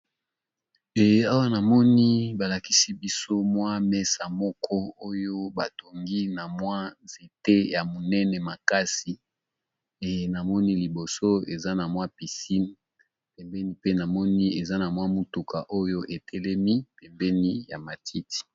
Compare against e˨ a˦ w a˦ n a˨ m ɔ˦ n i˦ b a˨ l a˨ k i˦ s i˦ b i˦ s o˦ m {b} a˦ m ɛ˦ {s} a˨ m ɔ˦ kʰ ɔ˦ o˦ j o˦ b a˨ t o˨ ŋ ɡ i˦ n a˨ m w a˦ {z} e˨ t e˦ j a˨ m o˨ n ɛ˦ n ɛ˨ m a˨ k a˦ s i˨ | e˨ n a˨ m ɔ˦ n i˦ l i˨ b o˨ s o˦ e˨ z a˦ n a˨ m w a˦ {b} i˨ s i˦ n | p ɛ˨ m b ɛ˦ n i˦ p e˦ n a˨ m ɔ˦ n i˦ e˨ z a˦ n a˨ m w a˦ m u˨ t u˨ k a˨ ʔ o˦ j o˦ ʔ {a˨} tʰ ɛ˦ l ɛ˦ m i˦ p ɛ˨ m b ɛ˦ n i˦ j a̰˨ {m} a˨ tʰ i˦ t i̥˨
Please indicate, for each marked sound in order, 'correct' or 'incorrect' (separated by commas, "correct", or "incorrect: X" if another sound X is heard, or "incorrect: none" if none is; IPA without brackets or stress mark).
incorrect: w, correct, correct, incorrect: p, incorrect: e˨, correct